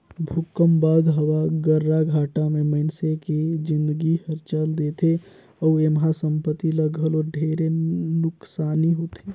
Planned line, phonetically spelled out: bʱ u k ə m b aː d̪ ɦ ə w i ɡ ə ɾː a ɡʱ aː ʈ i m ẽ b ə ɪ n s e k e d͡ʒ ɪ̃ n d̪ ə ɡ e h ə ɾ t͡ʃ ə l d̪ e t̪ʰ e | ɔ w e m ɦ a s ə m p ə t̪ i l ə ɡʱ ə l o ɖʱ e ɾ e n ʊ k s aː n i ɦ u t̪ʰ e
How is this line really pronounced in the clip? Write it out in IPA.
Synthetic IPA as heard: bʱ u k ə m b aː d̪ ɦ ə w a ɡ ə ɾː a ɡʱ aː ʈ a m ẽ m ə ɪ n s e k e d͡ʒ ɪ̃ n d̪ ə ɡ i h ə ɾ t͡ʃ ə l d̪ e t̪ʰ e | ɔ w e m ɦ a s ə m p ə t̪ i l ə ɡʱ ə l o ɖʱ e ɾ e n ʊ k s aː n i ɦ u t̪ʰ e